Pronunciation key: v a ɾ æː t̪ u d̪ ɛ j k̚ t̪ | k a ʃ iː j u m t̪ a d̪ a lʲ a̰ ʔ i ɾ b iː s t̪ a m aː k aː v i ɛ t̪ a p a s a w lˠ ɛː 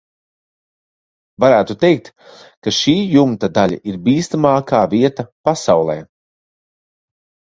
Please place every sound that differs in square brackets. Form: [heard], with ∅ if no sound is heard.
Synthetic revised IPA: v a ɾ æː t̪ u [t̪] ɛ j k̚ t̪ | k a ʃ iː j u m t̪ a d̪ a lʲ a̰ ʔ i ɾ b iː s t̪ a m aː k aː v i ɛ t̪ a p a s a w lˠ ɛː